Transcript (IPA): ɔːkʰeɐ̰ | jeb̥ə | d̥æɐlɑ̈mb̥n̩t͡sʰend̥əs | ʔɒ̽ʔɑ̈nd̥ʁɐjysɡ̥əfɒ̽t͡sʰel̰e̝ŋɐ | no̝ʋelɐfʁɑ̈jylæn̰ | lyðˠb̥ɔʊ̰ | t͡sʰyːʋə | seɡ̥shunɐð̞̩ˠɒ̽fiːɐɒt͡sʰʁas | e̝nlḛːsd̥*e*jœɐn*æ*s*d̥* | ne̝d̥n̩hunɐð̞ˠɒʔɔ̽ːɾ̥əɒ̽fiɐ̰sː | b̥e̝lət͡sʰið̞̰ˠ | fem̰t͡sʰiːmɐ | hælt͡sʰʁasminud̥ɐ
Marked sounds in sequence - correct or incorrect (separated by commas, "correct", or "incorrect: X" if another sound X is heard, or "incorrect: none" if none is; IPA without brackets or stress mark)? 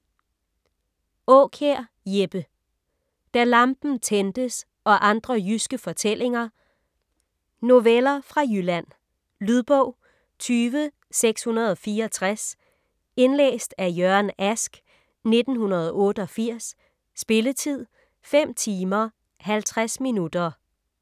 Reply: incorrect: æ, correct, incorrect: ɡ̥